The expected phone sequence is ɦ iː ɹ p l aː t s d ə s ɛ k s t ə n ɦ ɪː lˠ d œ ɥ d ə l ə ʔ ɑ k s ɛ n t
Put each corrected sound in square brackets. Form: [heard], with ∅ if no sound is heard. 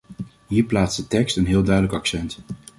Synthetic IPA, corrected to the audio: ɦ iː ɹ p l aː t s d ə [t] ɛ k s t ə n ɦ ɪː lˠ d œ ɥ d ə l ə [k] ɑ k s ɛ n t